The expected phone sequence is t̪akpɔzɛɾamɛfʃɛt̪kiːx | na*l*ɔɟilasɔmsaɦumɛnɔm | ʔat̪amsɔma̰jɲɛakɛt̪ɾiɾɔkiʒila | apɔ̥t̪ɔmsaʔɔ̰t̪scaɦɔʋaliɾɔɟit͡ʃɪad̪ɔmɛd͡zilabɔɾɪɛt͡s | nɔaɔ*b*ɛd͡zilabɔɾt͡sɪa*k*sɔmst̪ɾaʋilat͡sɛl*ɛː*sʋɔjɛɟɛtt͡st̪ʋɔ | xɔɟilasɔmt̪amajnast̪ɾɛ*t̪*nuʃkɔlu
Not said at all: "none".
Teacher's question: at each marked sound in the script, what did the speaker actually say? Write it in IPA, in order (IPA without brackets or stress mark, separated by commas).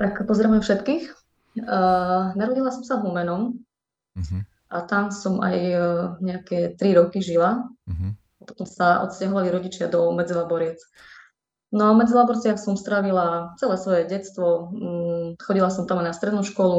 ɾ, m, x, ɛː, d̪